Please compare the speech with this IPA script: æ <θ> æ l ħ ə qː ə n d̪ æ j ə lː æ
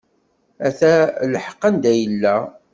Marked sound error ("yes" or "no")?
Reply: no